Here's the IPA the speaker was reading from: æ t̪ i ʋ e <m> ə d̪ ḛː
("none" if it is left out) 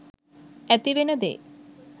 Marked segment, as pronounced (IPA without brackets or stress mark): n